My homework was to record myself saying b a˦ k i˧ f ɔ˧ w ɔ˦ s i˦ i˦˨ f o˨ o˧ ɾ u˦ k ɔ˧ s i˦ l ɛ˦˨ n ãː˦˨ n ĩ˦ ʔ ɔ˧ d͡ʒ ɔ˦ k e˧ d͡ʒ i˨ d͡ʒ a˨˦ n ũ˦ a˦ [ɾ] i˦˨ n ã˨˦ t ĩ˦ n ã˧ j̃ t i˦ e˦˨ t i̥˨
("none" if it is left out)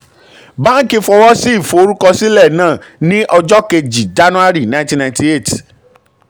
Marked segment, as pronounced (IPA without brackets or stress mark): ɾ